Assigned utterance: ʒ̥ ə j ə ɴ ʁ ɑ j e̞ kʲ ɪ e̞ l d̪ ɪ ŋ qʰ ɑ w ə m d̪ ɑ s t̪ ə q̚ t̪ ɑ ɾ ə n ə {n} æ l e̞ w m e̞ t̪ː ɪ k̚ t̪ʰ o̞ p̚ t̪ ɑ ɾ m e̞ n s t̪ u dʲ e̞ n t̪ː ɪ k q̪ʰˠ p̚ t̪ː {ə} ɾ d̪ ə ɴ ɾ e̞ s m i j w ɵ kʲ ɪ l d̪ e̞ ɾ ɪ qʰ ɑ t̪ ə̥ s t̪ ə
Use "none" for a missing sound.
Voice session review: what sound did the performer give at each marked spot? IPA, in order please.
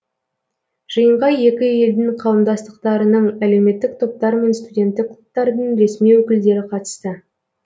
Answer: ɴ, ɑ

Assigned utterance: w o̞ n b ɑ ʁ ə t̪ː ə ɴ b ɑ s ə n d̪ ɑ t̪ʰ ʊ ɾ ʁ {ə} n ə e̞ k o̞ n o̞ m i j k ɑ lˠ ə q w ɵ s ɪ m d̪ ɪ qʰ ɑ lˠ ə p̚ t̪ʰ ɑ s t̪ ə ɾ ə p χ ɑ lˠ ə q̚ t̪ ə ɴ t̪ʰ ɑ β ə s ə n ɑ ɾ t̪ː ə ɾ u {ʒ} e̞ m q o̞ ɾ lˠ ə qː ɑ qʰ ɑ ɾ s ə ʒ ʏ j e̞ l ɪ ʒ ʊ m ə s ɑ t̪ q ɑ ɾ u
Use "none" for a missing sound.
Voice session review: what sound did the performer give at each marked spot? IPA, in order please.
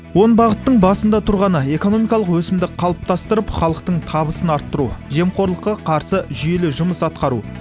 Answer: ɑ, ʒ

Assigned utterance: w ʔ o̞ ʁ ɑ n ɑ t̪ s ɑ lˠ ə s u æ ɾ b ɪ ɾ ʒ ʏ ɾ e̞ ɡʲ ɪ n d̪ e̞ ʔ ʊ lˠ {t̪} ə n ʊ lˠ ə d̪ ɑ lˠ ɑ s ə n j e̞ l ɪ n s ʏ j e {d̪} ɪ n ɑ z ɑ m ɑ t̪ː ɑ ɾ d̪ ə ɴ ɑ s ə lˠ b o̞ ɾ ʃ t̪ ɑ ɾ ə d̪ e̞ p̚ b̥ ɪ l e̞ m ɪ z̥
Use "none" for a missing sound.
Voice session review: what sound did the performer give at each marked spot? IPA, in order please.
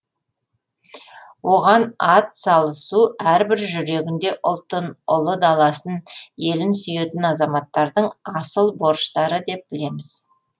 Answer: t̪, t̪

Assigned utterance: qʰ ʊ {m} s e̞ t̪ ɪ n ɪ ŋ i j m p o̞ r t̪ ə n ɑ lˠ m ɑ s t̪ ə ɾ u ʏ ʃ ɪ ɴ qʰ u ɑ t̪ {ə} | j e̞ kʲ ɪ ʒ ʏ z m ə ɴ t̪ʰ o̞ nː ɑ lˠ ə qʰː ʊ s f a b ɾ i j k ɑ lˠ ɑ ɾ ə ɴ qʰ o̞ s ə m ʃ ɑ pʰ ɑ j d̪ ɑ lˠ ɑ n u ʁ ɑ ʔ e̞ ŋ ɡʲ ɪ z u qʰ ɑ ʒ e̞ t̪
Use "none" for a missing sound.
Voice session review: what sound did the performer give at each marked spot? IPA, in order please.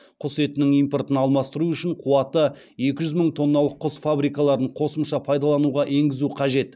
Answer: none, ə

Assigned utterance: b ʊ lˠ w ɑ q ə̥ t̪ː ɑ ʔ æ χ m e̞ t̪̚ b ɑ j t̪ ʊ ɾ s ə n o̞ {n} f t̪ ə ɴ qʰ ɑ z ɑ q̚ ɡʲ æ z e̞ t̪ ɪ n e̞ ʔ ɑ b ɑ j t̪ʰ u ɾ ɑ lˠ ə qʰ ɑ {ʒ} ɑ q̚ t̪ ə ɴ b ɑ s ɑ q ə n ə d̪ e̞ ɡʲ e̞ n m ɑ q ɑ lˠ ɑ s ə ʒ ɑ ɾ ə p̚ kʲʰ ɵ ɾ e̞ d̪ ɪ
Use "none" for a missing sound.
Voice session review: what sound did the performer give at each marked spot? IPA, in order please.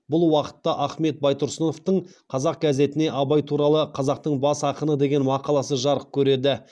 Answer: none, z

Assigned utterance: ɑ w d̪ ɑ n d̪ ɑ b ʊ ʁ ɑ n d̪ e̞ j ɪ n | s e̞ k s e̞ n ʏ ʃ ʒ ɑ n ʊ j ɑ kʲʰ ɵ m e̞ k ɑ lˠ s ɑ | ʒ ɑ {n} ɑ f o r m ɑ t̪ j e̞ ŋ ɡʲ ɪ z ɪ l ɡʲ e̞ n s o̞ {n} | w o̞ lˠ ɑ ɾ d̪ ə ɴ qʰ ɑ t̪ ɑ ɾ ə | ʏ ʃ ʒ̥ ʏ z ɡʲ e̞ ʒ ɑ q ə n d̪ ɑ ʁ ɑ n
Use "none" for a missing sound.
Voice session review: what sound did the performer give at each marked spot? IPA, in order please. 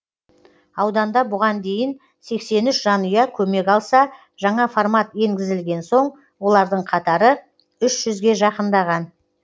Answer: ɴ, ɴ

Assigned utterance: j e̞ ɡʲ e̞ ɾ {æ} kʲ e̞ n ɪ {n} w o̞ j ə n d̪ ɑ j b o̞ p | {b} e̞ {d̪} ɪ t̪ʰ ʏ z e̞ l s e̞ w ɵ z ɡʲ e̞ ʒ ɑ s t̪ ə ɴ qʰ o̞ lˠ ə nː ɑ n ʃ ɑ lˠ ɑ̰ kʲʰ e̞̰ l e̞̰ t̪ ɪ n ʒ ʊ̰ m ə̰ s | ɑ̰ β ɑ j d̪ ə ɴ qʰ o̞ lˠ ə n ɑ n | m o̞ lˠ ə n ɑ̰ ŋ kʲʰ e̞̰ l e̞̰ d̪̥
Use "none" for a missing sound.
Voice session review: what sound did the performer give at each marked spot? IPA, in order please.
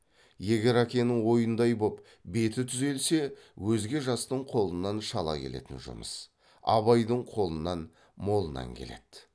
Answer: æ, ŋ, b, t̪

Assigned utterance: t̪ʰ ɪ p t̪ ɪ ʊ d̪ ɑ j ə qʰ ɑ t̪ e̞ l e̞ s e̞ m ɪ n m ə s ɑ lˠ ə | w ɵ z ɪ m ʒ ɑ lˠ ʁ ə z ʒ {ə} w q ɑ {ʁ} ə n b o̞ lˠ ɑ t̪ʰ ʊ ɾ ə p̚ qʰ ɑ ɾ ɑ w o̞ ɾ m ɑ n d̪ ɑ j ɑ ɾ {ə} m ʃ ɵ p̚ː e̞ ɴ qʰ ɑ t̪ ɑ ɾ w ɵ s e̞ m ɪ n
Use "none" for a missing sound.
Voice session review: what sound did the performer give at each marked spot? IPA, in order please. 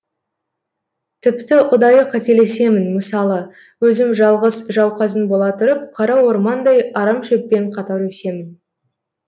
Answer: ɑ, z, ɑ

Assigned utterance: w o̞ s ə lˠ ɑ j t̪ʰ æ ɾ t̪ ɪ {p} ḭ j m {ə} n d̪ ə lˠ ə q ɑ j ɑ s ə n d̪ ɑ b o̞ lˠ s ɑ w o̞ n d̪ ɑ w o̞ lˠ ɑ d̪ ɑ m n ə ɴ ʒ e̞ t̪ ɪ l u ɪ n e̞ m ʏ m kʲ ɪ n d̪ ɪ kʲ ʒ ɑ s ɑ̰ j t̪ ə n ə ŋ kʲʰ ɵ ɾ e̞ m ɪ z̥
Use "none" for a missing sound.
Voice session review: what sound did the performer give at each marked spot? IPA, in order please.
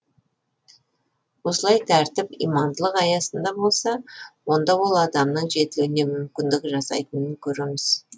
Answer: p, ɑ

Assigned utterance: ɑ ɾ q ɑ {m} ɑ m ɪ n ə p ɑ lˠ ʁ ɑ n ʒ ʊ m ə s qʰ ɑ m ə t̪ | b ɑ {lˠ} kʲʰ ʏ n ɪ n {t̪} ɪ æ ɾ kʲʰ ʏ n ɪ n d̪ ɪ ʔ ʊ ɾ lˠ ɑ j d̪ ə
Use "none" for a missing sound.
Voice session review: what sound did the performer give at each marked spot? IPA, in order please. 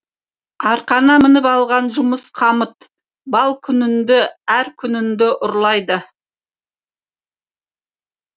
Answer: n, lˠ, d̪

